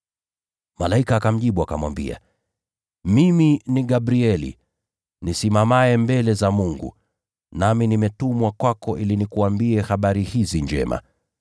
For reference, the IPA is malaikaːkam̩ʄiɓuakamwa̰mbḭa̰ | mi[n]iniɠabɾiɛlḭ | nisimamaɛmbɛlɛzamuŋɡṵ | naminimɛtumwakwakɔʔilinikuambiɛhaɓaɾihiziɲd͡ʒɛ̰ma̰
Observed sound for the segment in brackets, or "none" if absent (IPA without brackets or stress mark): m